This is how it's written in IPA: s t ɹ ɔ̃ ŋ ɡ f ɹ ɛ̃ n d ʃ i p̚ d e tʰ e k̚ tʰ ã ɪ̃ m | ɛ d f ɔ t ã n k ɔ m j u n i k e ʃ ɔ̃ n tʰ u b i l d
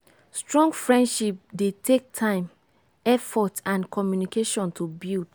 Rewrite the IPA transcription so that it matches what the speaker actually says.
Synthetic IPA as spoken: s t ɹ ɔ̃ ŋ ɡ f ɹ ɛ̃ n d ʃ i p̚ d e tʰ e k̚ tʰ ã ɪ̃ m | ɛ f ɔ t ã n k ɔ m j u n i k e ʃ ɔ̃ n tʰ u b i l d